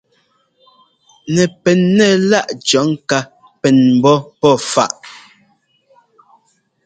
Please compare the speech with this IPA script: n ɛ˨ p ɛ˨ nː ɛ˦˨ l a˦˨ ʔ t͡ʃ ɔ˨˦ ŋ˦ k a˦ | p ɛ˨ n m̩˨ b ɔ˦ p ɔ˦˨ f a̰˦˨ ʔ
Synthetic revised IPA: n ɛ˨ p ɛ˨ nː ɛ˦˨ l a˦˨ ʔ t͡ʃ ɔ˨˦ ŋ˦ k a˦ | p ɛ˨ n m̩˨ b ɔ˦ p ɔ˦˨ f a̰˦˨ ʔ